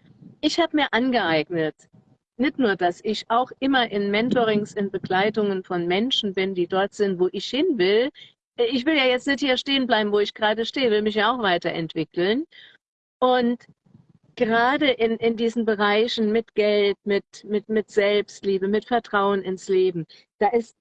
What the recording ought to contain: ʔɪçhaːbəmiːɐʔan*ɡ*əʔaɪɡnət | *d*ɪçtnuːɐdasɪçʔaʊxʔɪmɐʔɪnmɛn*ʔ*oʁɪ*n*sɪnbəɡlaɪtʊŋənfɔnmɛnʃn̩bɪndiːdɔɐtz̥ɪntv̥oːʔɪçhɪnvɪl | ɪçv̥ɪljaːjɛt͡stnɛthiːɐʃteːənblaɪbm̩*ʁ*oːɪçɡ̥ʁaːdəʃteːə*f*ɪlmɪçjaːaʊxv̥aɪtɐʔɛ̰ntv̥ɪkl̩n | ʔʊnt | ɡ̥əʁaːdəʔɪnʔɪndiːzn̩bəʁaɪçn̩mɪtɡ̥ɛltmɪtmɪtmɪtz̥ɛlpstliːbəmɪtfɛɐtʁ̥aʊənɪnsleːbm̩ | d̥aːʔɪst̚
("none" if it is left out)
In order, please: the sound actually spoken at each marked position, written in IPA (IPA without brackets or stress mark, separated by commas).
ɡ, n, t, ŋ, v, v